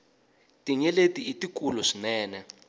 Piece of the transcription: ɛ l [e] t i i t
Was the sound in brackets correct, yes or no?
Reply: yes